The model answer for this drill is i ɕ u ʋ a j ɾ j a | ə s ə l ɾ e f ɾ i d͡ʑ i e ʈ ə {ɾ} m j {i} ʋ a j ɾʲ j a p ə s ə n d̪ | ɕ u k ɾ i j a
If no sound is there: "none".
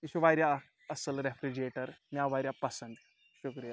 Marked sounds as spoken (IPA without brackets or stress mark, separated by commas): ɾ, a